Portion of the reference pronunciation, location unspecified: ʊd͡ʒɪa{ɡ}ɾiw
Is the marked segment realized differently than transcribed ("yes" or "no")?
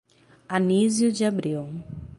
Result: yes